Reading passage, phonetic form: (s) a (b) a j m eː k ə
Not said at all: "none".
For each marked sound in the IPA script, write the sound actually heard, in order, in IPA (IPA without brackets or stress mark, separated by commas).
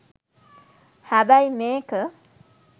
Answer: h, b